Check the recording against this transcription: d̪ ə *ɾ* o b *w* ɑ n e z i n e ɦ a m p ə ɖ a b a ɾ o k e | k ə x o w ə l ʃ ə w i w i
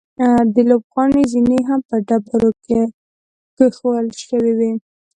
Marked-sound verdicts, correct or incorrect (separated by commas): incorrect, incorrect